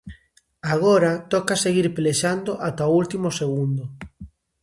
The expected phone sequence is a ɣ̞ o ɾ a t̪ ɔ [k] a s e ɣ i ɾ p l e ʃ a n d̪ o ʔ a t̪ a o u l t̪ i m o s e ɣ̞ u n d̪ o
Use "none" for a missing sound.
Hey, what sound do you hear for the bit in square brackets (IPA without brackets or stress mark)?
k